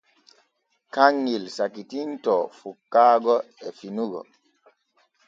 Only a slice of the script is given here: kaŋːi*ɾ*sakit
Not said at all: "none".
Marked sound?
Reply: l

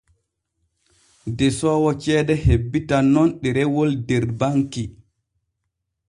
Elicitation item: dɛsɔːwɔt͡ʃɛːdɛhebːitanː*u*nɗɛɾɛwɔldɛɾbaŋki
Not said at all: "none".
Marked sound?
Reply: ɔ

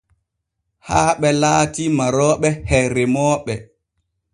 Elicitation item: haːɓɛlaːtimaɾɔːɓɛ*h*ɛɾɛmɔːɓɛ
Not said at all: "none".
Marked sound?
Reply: h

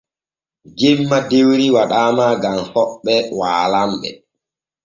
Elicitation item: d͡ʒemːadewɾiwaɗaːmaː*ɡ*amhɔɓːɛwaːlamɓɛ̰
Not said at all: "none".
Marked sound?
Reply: ɡ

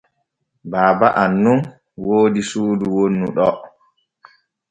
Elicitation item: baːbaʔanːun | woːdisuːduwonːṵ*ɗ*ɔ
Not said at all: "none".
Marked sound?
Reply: ɗ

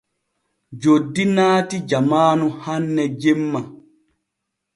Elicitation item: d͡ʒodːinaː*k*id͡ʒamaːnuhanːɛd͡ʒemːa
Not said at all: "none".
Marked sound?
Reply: t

